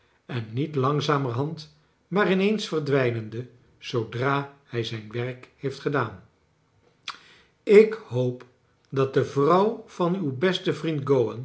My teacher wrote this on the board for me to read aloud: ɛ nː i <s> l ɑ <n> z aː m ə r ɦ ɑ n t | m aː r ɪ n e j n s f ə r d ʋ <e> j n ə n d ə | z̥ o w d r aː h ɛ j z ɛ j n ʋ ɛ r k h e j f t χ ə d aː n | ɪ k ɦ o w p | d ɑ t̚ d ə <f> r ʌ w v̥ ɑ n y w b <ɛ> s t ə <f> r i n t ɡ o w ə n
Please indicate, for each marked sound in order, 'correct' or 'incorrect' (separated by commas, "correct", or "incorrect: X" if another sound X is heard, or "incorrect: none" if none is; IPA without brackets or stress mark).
incorrect: t, incorrect: ŋ, incorrect: ɛ, incorrect: v, correct, incorrect: v